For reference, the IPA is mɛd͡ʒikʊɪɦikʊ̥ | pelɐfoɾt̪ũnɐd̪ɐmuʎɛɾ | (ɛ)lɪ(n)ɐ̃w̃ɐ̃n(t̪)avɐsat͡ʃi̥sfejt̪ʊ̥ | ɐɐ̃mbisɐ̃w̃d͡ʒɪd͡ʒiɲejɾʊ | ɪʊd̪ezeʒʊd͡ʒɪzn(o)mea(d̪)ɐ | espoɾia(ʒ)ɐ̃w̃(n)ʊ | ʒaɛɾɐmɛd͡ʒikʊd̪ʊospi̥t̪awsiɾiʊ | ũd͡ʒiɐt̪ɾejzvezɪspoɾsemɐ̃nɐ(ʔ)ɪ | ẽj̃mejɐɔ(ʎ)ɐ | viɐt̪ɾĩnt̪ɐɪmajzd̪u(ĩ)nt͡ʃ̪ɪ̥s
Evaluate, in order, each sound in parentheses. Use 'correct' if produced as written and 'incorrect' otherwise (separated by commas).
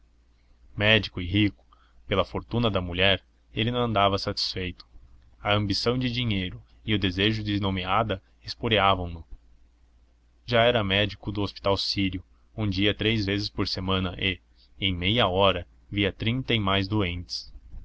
incorrect, correct, incorrect, correct, correct, incorrect, correct, correct, incorrect, incorrect